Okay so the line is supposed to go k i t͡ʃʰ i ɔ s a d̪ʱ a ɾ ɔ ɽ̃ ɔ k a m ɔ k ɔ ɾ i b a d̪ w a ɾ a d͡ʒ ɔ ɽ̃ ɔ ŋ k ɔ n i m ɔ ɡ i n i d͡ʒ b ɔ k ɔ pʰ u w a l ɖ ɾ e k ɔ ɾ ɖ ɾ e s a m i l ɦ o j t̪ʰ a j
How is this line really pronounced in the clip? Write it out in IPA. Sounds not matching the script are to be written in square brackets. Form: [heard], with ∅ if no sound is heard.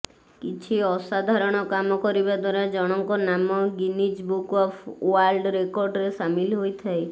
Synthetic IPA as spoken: k i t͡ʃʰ i ɔ s a d̪ʱ a ɾ ɔ ɽ̃ ɔ k a m ɔ k ɔ ɾ i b a d̪ w a ɾ a d͡ʒ ɔ ɽ̃ ɔ ŋ k ɔ n [a] m ɔ ɡ i n i d͡ʒ b [u] k ɔ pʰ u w a l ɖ ɾ e k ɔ ɾ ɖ ɾ e s a m i l ɦ o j t̪ʰ a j